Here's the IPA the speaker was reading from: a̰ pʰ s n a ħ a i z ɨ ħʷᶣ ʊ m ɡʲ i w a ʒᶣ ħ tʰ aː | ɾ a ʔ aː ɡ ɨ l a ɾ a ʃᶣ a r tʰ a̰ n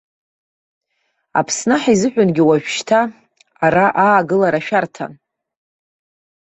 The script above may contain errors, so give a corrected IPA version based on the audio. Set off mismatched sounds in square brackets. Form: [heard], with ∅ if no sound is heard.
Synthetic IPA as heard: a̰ pʰ s n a ħ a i z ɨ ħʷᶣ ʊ [n] ɡʲ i w a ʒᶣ [ʃ] tʰ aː | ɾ a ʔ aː ɡ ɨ l a ɾ a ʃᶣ a r tʰ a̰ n